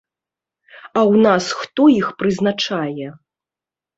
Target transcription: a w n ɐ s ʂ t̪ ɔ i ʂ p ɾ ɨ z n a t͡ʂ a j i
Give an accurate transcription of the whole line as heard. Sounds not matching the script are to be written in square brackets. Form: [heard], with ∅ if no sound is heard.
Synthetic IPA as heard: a w n [a] s [x] t̪ ɔ i [x] p ɾ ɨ z n a t͡ʂ a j [ɛ]